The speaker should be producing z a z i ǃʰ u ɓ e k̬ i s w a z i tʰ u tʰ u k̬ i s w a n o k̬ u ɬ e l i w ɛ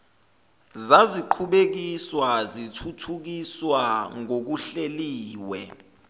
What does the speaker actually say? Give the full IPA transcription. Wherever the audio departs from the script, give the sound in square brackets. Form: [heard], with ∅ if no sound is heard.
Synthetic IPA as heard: z a z i ǃʰ u ɓ e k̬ i s w a z i tʰ u tʰ u k̬ i s w a [ŋ] o k̬ u ɬ e l [iː] w ɛ